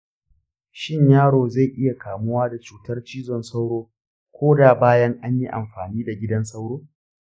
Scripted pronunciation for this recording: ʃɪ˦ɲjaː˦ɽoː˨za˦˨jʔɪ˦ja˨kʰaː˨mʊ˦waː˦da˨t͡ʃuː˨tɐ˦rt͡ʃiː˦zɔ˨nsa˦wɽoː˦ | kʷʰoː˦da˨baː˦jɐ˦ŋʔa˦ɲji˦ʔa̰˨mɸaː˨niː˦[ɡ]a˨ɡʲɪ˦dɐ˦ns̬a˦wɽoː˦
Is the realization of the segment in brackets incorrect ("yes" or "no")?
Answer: yes